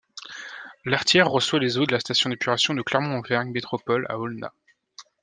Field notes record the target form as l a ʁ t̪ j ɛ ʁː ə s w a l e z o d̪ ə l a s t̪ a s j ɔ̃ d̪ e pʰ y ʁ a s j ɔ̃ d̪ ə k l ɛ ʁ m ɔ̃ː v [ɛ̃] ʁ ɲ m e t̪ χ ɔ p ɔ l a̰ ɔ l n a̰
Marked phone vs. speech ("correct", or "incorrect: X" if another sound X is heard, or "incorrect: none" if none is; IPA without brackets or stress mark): incorrect: ɛ